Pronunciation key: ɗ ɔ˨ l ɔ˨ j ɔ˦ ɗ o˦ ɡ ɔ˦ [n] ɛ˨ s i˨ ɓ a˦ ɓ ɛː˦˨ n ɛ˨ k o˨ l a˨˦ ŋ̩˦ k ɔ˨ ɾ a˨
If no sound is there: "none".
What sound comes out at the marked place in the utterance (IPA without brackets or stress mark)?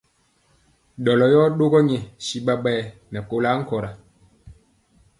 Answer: ɲ